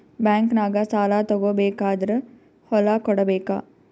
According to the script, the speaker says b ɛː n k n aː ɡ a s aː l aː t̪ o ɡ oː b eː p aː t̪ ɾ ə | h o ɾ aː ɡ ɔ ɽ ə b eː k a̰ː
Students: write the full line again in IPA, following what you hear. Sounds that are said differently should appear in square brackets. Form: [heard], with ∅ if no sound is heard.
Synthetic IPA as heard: b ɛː [ŋ] k n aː ɡ a s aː l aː t̪ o ɡ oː b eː [k] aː [d̪] ɾ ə | h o [l] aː [k] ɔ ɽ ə b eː k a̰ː